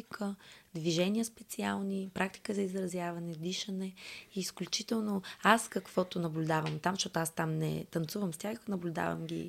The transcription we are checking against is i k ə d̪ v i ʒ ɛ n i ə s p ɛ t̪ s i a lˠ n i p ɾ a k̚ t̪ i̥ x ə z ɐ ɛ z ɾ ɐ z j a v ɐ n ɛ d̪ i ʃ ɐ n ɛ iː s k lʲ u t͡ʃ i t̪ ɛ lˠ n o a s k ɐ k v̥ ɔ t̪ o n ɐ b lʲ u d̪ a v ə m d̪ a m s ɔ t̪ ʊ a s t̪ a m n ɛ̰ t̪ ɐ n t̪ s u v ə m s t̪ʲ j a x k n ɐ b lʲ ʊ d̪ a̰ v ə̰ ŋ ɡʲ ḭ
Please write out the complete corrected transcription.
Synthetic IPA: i k ə d̪ v i ʒ ɛ n i ə s p ɛ t̪ s i a lˠ n i p ɾ a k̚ t̪ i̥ k ə z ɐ i z ɾ ɐ z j a v ɐ n ɛ d̪ i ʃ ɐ n ɛ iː s k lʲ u t͡ʃ i t̪ ɛ lˠ n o a s k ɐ k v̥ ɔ t̪ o n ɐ b lʲ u d̪ a v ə m t̪ a m ʃ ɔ t̪ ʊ a s t̪ a m n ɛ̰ t̪ ɐ n t̪ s u v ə m s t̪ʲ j a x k n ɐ b lʲ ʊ d̪ a̰ v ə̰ m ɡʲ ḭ